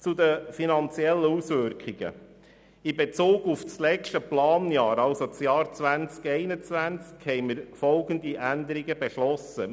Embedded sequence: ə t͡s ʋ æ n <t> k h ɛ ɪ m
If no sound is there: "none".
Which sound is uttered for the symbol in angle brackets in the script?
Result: t͡s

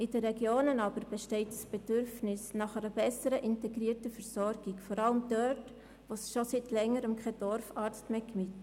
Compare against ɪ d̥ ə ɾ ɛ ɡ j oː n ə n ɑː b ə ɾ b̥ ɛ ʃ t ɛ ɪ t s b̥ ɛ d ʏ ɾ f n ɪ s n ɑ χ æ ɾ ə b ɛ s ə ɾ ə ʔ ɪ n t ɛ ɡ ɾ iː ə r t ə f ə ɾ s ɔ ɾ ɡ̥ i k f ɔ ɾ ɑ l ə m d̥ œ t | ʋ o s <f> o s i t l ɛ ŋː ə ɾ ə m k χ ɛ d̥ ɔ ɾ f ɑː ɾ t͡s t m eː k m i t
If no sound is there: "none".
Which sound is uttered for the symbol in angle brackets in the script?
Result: ʃ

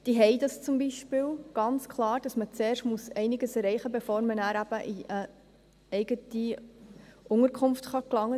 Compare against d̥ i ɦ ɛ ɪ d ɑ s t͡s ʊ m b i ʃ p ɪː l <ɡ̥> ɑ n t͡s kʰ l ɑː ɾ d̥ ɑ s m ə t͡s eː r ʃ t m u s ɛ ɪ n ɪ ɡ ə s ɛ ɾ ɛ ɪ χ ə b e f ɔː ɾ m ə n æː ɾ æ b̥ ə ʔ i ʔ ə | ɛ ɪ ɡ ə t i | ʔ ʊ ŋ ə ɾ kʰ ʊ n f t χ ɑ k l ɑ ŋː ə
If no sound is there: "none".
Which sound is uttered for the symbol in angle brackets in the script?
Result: ɡ̥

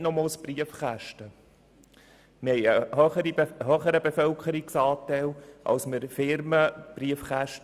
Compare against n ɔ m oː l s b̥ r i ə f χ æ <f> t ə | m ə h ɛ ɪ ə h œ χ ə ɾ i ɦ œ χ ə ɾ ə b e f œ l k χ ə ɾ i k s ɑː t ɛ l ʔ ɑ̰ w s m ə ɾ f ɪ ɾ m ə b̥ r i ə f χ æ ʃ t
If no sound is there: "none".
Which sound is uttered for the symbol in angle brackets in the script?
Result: ʃ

